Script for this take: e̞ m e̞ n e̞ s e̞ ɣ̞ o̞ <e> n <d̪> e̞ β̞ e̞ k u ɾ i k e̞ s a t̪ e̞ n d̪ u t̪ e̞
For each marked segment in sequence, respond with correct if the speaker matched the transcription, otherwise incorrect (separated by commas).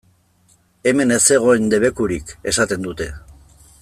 correct, correct